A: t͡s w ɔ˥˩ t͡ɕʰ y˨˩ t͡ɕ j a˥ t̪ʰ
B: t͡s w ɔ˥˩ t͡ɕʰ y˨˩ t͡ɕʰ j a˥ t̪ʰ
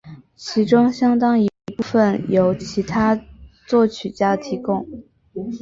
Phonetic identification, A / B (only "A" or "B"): A